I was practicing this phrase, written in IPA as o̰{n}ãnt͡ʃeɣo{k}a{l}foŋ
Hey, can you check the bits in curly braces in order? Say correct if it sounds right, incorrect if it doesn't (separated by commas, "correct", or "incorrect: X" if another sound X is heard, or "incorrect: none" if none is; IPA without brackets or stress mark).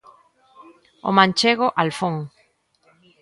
incorrect: m, incorrect: ʔ, correct